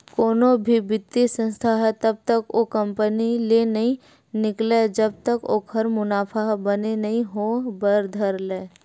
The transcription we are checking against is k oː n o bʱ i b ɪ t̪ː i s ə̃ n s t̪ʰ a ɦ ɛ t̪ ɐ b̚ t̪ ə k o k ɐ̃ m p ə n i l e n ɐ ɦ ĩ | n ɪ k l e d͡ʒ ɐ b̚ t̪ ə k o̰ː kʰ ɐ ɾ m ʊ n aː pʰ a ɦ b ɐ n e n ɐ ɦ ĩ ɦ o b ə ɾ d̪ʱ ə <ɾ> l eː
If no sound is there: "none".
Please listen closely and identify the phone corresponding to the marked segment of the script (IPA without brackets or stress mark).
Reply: ɾ